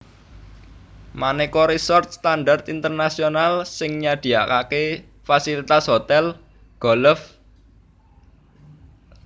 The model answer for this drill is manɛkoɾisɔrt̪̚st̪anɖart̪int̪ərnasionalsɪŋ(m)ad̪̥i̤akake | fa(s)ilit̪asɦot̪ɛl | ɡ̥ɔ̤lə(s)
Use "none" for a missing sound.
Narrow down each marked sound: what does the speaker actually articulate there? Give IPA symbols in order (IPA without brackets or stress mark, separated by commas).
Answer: ɲ, s, f